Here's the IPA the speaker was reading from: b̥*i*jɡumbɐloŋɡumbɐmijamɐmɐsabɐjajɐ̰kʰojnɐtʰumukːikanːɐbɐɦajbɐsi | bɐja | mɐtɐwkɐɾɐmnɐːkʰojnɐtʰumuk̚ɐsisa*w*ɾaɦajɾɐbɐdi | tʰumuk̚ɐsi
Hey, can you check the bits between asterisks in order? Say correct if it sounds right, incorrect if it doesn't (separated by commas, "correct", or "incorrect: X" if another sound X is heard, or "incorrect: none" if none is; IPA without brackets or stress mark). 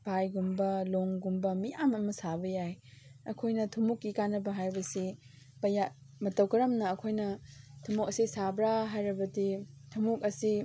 incorrect: a, incorrect: b